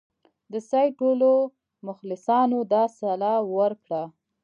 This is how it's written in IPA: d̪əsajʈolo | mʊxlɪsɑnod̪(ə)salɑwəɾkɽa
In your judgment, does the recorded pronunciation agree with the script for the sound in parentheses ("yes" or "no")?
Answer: no